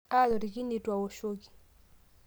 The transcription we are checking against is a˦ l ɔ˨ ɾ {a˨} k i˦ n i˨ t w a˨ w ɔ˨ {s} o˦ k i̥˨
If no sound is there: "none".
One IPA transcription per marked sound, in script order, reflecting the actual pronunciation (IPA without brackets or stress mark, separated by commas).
i˨, ʃ